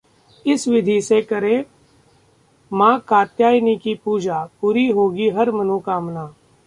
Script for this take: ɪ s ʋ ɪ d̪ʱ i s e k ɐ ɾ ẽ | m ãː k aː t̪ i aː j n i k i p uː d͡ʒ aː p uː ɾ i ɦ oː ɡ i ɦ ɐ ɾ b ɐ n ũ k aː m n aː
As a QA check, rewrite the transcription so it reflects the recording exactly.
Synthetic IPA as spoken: ɪ s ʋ ɪ d̪ʱ i s e k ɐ ɾ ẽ | m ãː k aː t̪ j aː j n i k i p uː d͡ʒ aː p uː ɾ i ɦ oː ɡ i ɦ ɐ ɾ m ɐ n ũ k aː m n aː